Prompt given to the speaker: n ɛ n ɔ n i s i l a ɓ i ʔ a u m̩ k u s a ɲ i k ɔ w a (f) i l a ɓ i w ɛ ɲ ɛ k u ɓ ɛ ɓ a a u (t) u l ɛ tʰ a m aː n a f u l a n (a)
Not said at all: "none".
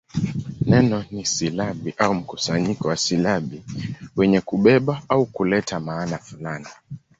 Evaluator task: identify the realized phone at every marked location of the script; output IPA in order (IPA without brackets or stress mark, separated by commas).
s, k, i